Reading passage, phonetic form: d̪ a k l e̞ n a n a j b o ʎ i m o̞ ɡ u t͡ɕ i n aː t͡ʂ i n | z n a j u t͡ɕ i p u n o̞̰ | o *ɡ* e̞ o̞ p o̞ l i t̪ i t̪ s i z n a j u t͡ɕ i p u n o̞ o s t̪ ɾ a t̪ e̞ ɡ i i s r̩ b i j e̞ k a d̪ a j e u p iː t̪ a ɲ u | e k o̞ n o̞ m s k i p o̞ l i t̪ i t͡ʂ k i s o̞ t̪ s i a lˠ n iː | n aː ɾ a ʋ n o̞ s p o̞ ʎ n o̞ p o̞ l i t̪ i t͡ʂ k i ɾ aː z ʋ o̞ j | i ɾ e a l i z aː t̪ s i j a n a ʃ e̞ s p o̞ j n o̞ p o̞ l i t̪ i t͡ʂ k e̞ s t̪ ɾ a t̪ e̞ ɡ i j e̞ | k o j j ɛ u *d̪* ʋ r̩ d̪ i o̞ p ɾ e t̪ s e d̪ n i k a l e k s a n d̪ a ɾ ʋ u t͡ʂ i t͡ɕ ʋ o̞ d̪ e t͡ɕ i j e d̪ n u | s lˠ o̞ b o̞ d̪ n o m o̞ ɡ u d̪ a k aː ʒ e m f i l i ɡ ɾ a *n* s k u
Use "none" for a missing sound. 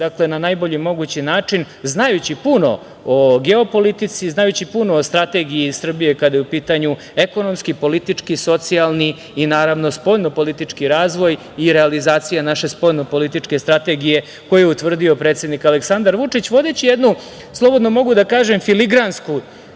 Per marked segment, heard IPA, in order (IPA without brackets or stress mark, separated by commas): ɡ, t̪, n